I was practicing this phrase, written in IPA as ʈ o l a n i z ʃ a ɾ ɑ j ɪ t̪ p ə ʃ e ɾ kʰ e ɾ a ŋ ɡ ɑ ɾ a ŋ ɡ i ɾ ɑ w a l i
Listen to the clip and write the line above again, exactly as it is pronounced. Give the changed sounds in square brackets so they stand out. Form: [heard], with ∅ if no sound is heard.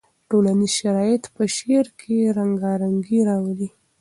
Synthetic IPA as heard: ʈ o l a n i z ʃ a ɾ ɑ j ɪ t̪ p ə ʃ e ɾ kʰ e ɾ a ŋ ɡ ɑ ɾ a ŋ ɡ i ɾ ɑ w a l i